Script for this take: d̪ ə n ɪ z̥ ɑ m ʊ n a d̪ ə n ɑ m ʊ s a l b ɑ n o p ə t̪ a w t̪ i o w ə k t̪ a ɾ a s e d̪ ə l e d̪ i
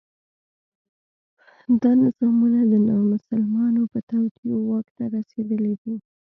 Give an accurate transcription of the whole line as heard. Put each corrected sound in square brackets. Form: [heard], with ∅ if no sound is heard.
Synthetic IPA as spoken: d̪ [ɑ] n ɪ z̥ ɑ m [u] n a d̪ ə n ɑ m ʊ s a l [m] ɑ n o p ə t̪ a w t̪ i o w [ɑ] k t̪ a ɾ a s e d̪ ə l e d̪ i